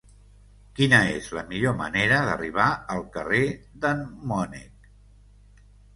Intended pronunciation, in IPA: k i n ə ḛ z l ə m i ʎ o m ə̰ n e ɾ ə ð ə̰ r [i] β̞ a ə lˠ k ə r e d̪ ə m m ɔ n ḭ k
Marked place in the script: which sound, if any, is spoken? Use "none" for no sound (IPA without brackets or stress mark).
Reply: i